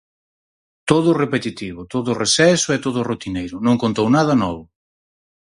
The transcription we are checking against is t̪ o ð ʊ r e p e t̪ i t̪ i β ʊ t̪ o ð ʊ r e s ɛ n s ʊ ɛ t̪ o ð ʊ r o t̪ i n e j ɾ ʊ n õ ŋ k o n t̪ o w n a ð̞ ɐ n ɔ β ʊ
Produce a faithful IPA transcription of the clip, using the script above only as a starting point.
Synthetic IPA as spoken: t̪ o ð ʊ r e p e t̪ i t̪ i β ʊ t̪ o ð ʊ r e s ɛ s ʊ ɛ t̪ o ð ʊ r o t̪ i n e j ɾ ʊ n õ ŋ k o n t̪ o w n a ð̞ ɐ n ɔ β ʊ

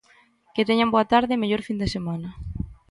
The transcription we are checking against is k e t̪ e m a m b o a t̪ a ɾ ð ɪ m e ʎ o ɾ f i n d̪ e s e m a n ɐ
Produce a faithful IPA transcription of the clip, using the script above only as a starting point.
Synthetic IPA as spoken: k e t̪ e ɲ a m b o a t̪ a ɾ ð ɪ m e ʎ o ɾ f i n d̪ e s e m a n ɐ

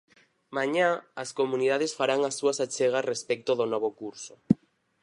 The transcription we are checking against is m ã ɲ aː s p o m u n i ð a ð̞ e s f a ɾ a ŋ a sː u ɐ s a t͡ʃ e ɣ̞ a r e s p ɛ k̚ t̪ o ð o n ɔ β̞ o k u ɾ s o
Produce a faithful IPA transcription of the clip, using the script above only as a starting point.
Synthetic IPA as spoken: m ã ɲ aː s k o m u n i ð a ð̞ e s f a ɾ a ŋ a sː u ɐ s a t͡ʃ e ɣ̞ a r e s p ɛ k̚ t̪ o ð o n ɔ β̞ o k u ɾ s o

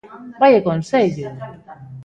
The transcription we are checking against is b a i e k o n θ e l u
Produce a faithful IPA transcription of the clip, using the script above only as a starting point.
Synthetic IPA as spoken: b a j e k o n s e ʎ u

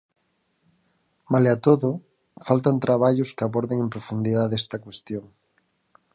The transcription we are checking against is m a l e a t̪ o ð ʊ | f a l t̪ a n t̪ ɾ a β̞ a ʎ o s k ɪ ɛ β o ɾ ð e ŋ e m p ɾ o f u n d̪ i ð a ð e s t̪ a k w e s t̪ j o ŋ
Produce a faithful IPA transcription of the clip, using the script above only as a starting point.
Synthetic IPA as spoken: m a l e a t̪ o ð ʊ | f a l t̪ a n t̪ ɾ a β̞ a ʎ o s k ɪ a β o ɾ ð e ŋ e m p ɾ o f u n d̪ i ð a ð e s t̪ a k w e s t̪ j o ŋ

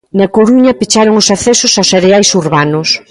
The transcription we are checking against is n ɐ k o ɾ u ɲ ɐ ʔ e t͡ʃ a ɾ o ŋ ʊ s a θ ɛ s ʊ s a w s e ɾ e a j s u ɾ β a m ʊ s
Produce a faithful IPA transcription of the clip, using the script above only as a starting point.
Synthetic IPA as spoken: n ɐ k o ɾ u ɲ ɐ p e t͡ʃ a ɾ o ŋ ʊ s a θ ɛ s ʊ s a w s e ɾ e a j s u ɾ β a n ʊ s

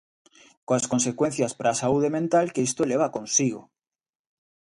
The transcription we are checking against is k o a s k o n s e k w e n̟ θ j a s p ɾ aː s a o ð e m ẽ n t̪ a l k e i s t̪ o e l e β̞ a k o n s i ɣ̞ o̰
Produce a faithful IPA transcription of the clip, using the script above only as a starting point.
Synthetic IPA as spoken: k o a s k o n s e k w e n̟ θ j a s p ɾ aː s a u ð e m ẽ n t̪ a l k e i s t̪ o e l e β̞ a k o n s i ɣ̞ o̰

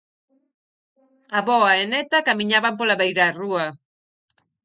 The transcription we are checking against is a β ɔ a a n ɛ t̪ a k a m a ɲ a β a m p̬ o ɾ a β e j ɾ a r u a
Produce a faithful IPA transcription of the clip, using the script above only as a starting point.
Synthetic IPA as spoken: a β ɔ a e n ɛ t̪ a k a m i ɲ a β a m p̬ o l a β e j ɾ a r u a

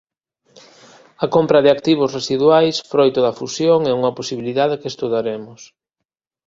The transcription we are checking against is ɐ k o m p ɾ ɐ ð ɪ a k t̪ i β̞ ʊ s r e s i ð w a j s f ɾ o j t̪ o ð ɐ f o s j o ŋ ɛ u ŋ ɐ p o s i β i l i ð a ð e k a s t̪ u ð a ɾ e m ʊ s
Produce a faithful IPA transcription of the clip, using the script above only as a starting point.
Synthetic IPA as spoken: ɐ k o m p ɾ ɐ ð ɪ a k t̪ i β̞ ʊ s r e s i ð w a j s f ɾ o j t̪ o ð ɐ f u s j o ŋ ɛ u ŋ ɐ p o s i β i l i ð a ð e k e s t̪ u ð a ɾ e m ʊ s

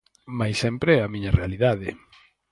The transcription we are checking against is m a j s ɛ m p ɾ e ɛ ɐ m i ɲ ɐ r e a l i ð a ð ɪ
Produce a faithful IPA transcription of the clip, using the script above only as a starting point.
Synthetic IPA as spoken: m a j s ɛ m p ɾ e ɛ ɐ m i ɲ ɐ r e a l i ð a ð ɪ

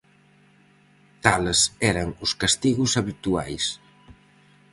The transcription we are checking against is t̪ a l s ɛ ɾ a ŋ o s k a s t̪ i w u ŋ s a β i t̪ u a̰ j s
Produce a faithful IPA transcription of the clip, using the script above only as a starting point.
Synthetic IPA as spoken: t̪ a l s ɛ ɾ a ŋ u s k a s t̪ i ɣ u s a β i t̪ u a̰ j s

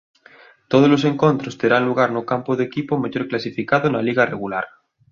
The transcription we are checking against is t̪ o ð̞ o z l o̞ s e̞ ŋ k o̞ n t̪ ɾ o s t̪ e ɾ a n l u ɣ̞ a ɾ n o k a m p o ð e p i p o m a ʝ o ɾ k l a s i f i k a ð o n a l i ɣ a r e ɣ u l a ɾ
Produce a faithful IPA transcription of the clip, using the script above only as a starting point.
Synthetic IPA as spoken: t̪ o ð̞ o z l o̞ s e̞ ŋ k o̞ n t̪ ɾ o s t̪ e ɾ a n l u ɣ̞ a ɾ n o k a m p o ð e k i p o m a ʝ o ɾ k l a s i f i k a ð o n a l i ɣ a r e ɣ u l a ɾ

